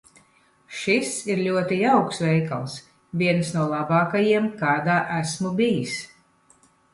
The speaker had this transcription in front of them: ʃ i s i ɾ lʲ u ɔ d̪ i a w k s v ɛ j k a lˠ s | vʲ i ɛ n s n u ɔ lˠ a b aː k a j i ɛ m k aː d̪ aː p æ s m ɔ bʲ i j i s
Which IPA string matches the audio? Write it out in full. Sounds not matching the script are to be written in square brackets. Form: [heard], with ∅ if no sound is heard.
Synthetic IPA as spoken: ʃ i s i ɾ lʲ u ɔ [t̪] i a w k s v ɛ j k a lˠ s | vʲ i ɛ n s n u ɔ lˠ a b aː k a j i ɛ m k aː d̪ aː [ʔ] æ s m [u] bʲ i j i s